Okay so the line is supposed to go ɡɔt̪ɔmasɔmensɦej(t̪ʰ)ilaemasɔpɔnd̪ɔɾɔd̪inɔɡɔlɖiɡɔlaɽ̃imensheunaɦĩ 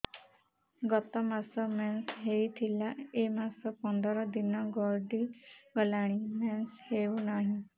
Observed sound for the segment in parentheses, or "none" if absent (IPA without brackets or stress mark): t̪ʰ